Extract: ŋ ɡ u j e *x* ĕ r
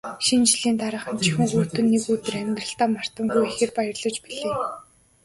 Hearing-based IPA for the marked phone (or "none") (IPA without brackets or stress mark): x